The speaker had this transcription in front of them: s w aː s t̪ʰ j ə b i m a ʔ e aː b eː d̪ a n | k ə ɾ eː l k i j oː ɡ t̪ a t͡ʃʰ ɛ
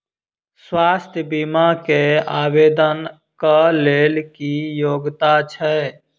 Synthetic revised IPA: s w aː s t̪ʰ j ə b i m a k e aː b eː d̪ ə n | k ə l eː l k i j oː ɡ t̪ a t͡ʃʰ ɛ